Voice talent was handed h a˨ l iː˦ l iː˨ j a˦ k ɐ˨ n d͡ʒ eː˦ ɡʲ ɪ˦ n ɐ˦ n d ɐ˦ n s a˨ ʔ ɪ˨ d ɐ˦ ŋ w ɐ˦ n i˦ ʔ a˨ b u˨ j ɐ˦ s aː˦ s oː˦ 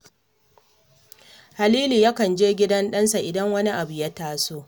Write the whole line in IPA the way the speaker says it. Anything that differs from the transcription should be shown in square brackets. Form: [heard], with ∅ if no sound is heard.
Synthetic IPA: h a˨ l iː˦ l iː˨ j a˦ k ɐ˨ n d͡ʒ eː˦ ɡʲ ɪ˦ [d] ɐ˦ n [ɗ] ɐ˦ n s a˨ ʔ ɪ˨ d ɐ˦ ŋ w ɐ˦ n i˦ ʔ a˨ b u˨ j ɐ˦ [t] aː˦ s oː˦